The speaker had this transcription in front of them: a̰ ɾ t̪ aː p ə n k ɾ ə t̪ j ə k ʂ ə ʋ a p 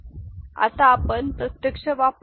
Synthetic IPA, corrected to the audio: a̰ t̪ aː p ə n p ɾ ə t̪ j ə k ʂ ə ʋ a p